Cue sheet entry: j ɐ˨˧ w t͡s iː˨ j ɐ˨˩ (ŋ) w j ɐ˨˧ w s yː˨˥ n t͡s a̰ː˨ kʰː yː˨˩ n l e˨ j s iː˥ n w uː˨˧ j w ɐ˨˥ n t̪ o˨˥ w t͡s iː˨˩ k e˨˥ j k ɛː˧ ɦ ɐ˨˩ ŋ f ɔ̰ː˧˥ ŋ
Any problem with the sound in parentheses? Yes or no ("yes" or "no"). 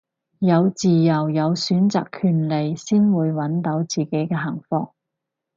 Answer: yes